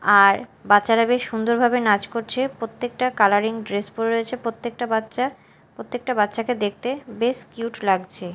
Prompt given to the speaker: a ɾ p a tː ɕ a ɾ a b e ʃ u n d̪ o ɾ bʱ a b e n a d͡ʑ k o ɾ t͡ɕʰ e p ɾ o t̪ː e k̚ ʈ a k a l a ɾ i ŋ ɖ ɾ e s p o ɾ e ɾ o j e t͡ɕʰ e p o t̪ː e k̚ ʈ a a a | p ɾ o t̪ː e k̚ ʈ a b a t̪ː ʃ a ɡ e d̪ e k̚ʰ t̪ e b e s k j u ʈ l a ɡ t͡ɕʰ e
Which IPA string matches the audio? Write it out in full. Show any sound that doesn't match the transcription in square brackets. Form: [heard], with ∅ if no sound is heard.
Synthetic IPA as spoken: a ɾ [b] a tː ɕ a ɾ a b e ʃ u n d̪ o ɾ bʱ a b e n a d͡ʑ k o ɾ t͡ɕʰ e p ɾ o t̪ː e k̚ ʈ a k a l a ɾ i ŋ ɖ ɾ e s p o ɾ e ɾ o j e t͡ɕʰ e p o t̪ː e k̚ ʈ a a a | p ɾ o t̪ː e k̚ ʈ a b a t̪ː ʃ a [k] e d̪ e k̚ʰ t̪ e b e s k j u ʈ l a ɡ t͡ɕʰ e